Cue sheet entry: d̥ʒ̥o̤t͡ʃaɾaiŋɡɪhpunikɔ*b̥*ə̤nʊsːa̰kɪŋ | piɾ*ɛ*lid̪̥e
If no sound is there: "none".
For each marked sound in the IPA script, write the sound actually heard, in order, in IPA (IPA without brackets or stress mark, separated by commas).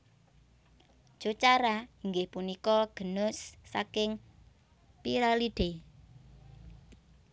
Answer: ɡ̥, a